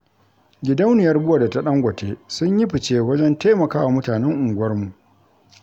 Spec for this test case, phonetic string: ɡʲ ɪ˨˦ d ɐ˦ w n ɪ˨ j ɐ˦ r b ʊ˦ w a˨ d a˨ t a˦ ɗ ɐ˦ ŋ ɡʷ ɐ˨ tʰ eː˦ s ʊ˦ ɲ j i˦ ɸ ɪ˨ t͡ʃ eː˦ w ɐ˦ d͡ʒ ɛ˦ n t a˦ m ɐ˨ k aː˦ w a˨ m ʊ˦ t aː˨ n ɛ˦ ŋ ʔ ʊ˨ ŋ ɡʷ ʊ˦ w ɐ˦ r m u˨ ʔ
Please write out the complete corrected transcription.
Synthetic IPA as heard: ɡʲ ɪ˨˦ d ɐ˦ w n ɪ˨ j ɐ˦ r b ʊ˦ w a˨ d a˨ t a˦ ɗ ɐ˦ ŋ ɡʷ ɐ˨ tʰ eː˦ s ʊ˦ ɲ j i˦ ɸ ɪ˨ t͡ʃ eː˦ w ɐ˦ d͡ʒ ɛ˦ n t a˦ m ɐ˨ k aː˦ w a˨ m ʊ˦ t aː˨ n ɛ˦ ŋ ʔ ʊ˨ ŋ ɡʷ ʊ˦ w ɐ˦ r m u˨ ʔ